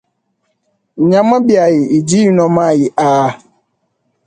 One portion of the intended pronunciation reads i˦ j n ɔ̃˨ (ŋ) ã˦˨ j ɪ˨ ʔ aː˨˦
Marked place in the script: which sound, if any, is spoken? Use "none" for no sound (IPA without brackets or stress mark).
m